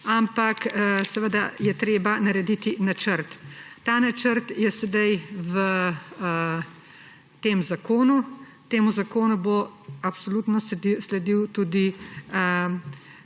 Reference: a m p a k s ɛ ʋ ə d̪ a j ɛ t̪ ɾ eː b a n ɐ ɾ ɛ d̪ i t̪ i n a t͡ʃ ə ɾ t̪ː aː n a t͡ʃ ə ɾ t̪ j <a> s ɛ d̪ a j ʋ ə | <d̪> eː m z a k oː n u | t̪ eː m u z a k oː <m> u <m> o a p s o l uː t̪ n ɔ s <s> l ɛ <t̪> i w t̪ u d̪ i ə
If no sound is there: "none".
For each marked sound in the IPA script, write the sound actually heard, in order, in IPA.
ɛ, t̪, n, b, s, d̪

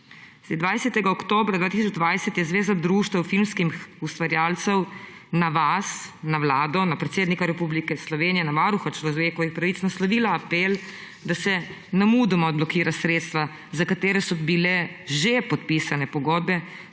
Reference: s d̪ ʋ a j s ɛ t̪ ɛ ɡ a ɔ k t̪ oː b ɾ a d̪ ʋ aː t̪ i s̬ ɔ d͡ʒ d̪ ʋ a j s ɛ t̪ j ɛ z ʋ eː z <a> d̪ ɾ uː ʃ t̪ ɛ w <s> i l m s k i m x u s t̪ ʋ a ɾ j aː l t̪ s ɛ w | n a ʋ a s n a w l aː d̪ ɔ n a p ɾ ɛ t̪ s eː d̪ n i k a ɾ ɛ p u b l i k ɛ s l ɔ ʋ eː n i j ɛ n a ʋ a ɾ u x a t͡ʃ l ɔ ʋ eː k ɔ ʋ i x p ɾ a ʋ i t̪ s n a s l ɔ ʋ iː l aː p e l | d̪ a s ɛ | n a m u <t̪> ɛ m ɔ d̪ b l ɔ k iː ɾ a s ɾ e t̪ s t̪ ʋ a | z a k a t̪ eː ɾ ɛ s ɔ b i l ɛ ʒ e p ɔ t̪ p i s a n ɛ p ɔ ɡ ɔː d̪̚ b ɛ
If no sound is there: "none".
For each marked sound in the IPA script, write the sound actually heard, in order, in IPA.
a, f, d̪

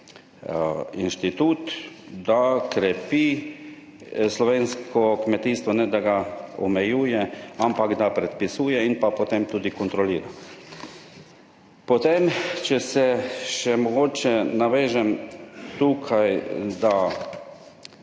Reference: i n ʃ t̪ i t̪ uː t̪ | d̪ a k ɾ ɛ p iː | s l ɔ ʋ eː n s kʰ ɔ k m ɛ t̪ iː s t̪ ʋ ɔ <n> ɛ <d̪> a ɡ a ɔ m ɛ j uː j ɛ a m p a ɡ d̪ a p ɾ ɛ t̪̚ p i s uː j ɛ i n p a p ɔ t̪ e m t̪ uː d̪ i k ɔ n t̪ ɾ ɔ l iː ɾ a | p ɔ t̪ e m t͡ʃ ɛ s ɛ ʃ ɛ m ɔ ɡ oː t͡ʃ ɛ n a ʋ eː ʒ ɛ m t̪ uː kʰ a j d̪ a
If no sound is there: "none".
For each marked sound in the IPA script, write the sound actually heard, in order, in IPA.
n, d̪

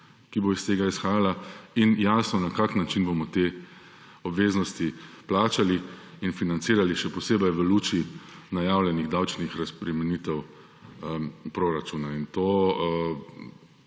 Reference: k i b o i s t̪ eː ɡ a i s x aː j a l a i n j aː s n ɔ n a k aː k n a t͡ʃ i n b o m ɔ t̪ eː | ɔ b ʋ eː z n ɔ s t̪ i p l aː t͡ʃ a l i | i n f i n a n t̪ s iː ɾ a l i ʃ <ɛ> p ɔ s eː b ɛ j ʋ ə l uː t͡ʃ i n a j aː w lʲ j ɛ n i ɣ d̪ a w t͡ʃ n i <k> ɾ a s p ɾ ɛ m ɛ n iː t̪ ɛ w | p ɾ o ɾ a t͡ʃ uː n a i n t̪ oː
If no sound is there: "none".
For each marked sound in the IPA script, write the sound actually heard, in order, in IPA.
ɛ, x

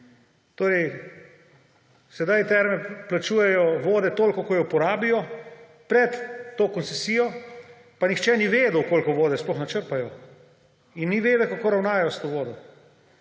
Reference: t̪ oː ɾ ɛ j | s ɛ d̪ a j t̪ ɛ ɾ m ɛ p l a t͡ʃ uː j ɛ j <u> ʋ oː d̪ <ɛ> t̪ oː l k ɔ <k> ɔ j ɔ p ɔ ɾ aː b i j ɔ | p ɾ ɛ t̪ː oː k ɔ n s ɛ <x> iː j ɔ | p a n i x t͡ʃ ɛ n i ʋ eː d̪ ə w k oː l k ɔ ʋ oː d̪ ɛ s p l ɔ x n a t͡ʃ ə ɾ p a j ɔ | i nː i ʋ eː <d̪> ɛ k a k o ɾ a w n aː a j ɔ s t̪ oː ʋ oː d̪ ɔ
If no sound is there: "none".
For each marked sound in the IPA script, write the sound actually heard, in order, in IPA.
ɔ, ɛ, k, s, d̪

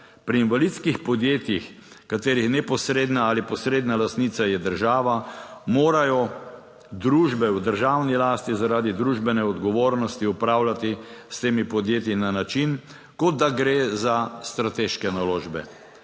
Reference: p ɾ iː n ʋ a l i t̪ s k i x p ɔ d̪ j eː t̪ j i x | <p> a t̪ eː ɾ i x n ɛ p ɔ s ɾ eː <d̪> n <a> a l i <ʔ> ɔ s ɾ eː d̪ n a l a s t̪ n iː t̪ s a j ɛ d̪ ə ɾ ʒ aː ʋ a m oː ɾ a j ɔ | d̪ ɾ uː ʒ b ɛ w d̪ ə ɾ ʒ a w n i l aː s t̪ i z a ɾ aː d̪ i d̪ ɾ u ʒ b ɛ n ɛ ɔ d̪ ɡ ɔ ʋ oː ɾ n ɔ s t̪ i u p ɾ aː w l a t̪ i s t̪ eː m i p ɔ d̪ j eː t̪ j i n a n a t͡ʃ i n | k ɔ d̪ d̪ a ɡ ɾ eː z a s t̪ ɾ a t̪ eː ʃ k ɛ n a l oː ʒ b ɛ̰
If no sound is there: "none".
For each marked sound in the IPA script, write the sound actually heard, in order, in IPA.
k, d̪, a, p

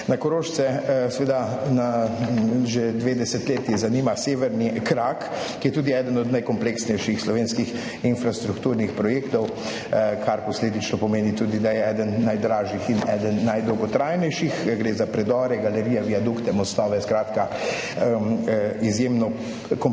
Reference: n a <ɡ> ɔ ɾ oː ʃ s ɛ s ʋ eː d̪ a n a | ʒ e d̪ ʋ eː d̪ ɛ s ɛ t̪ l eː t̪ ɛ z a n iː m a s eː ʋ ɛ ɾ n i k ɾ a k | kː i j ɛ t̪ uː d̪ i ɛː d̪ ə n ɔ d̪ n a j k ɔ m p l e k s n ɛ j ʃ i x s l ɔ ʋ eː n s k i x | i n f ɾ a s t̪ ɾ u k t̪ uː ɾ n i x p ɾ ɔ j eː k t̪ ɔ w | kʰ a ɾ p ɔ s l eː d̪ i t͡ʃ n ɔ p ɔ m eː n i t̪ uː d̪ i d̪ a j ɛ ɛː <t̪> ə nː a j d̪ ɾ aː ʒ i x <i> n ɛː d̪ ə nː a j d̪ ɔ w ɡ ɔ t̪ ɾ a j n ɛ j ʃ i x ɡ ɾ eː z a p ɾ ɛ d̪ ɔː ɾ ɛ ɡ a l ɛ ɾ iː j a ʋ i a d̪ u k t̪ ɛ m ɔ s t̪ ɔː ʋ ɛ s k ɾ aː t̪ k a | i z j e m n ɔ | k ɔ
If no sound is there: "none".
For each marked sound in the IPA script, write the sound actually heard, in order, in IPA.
k, d̪, i

